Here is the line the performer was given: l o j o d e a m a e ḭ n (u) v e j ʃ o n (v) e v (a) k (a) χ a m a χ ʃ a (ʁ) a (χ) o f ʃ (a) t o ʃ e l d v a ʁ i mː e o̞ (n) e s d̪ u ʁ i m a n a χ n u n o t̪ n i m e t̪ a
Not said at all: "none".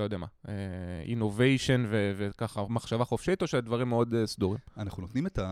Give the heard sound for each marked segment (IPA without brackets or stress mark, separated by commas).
o, v, e, a, v, χ, i, d